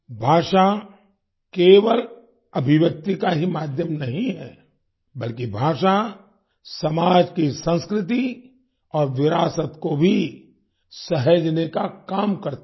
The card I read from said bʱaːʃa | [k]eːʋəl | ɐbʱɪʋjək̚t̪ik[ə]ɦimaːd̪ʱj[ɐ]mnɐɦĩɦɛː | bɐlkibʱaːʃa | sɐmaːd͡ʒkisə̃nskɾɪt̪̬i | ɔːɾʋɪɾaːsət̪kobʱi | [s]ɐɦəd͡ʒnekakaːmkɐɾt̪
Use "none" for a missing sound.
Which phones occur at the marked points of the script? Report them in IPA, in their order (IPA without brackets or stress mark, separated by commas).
k, a, ə, s